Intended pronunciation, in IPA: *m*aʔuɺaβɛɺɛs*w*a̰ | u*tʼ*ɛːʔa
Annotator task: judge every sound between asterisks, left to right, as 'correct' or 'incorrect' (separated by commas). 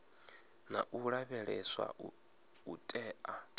incorrect, correct, correct